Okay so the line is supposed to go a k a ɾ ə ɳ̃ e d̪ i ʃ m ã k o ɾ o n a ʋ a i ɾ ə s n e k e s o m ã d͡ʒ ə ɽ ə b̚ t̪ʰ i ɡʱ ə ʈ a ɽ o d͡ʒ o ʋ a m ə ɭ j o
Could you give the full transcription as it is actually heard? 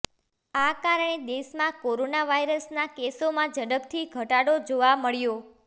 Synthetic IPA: a k a ɾ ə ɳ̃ e d̪ e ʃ m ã k o ɾ o n a ʋ a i ɾ ə s n a k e s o m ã d͡ʒ ə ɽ ə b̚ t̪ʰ i ɡʱ ə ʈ a ɽ o d͡ʒ o ʋ a m ə ɭ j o